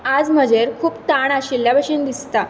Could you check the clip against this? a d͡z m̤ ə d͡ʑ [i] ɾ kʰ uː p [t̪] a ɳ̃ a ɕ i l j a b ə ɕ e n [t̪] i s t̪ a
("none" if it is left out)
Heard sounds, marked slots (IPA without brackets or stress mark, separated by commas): e, t̪, d̪